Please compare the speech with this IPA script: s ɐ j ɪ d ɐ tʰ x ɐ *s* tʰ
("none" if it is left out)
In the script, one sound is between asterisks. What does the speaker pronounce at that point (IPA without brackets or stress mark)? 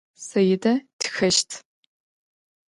ʃ